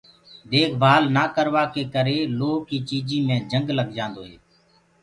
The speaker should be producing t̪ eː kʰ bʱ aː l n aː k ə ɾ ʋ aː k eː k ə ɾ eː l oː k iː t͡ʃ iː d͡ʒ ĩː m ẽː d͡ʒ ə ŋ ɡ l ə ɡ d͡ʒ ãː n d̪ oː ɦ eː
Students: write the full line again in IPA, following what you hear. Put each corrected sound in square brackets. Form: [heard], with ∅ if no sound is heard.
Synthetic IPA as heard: [d̪] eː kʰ bʱ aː l n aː k ə ɾ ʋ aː k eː k ə ɾ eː l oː k iː t͡ʃ iː d͡ʒ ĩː m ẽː d͡ʒ ə ŋ ɡ l ə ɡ d͡ʒ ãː n d̪ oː ɦ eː